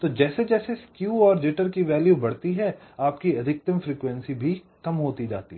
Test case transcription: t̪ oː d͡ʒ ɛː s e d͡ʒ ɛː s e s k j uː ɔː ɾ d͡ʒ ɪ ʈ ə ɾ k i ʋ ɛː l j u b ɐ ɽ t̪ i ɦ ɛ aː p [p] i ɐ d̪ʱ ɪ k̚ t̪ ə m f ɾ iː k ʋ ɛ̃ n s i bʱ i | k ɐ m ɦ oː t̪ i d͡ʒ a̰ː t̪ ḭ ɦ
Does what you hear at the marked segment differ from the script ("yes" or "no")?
yes